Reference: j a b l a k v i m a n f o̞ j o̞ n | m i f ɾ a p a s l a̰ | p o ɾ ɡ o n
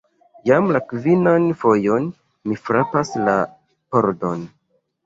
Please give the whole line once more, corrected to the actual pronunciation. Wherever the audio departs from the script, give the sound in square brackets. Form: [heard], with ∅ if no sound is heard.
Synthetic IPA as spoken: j a [m] l a k v i [n] a n f o̞ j o̞ n | m i f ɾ a p a s l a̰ | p o ɾ [d] o n